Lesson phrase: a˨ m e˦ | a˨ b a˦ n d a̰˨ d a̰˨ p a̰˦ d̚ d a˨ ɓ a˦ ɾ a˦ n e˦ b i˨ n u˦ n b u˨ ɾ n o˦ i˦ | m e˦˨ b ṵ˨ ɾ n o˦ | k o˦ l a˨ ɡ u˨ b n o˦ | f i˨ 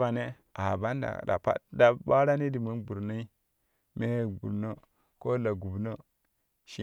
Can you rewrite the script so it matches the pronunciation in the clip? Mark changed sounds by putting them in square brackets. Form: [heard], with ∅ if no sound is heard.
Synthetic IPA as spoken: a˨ [n] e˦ | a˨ b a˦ n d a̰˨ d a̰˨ p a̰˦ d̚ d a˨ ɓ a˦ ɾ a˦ n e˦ [d] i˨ [m] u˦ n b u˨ ɾ n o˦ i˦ | m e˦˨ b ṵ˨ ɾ n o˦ | k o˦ l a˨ ɡ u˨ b n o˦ | [ʃ] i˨